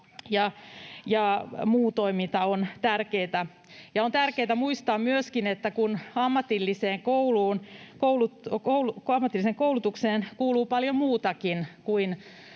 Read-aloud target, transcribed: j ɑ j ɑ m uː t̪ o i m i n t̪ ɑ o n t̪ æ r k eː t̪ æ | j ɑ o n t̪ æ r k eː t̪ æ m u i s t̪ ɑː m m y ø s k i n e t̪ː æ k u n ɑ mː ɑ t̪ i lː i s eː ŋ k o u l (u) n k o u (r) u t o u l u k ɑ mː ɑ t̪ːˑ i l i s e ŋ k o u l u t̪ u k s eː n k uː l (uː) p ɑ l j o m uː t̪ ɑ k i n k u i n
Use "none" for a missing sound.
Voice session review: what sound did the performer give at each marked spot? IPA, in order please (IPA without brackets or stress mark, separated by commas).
uː, l, uː